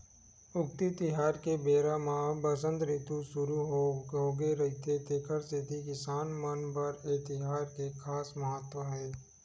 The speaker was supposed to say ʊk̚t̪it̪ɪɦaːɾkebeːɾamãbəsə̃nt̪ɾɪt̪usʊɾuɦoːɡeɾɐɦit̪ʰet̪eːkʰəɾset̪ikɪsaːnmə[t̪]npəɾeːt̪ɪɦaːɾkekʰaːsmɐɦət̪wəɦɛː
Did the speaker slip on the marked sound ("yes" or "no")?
yes